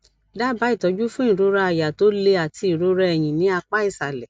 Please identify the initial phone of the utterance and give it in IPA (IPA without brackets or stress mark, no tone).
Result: d